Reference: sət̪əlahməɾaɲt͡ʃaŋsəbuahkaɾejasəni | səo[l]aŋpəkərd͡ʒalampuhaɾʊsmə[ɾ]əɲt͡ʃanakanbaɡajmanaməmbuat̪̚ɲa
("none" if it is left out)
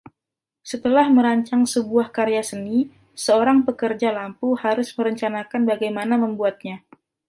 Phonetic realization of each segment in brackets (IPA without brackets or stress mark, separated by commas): ɾ, ɾ